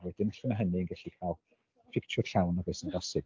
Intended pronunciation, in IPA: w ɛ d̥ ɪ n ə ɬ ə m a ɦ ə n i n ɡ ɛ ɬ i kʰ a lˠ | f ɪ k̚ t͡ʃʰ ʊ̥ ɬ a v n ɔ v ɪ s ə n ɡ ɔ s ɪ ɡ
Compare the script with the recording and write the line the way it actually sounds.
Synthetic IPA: w ɛ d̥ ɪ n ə ɬ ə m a ɦ ə n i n ɡ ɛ ɬ i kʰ a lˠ | f ɪ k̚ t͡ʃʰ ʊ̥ ɬ a w n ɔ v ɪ s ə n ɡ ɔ s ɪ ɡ